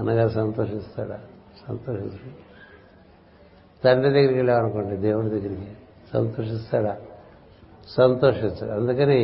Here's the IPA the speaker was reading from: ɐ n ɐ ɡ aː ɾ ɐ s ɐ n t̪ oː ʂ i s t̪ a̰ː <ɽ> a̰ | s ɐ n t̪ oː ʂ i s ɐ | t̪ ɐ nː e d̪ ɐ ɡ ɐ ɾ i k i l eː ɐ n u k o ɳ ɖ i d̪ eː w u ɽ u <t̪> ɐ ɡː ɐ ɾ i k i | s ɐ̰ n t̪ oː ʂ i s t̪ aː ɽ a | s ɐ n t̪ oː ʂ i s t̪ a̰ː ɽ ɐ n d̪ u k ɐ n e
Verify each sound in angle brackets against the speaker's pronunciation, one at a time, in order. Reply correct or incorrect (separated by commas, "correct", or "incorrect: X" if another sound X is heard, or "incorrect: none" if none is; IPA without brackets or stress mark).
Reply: correct, incorrect: d̪